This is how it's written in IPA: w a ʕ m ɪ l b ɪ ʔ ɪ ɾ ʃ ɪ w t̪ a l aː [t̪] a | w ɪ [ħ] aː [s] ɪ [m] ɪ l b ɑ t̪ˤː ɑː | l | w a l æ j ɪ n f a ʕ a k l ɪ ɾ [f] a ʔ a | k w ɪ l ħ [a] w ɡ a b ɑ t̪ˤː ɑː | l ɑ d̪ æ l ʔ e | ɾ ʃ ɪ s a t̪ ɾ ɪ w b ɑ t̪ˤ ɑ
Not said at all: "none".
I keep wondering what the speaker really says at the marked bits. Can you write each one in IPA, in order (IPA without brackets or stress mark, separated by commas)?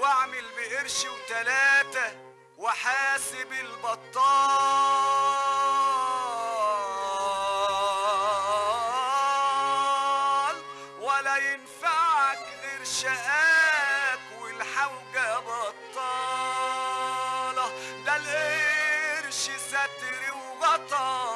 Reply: t̪, ħ, s, b, ʃ, a